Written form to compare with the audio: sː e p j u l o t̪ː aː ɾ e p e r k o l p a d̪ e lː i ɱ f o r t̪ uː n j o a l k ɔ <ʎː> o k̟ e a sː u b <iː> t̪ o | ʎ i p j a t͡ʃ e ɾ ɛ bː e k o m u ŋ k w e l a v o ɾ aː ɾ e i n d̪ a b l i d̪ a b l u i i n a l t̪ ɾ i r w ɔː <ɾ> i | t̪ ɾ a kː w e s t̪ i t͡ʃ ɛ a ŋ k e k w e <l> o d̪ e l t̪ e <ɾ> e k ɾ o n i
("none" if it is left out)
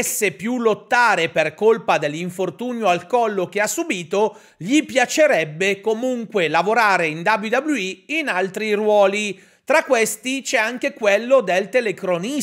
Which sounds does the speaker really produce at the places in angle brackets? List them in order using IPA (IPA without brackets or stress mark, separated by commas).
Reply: lː, iː, l, lː, l